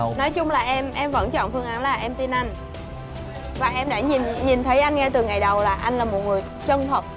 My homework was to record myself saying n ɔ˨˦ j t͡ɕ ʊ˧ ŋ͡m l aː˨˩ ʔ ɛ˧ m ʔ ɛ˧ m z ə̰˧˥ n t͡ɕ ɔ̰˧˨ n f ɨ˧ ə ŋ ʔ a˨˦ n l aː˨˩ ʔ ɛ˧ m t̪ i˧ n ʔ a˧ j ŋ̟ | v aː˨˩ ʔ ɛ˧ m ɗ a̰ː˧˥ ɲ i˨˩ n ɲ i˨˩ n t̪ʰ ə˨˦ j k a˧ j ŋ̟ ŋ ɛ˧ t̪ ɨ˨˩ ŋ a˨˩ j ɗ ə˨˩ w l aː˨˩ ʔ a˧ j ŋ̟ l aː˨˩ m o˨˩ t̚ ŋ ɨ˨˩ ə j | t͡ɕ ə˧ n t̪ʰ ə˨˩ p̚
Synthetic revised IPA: n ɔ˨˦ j t͡ɕ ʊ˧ ŋ͡m l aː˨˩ ʔ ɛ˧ m ʔ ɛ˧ m v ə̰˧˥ n t͡ɕ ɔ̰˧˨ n f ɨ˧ ə ŋ ʔ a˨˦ n l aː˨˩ ʔ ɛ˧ m t̪ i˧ n ʔ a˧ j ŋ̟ | v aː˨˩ ʔ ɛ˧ m ɗ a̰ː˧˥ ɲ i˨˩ n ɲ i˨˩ n t̪ʰ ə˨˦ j ʔ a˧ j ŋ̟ ŋ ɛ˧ t̪ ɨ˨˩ ŋ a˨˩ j ɗ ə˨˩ w l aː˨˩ ʔ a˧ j ŋ̟ l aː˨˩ m o˨˩ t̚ ŋ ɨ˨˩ ə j | t͡ɕ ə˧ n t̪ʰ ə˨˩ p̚